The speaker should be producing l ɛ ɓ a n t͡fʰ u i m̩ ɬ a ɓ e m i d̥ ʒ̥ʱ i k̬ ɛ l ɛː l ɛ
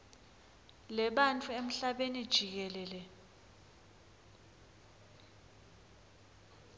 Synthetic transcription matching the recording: l ɛ ɓ a n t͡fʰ u e m̩ ɬ a ɓ e n i d̥ ʒ̥ʱ i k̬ ɛ l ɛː l ɛ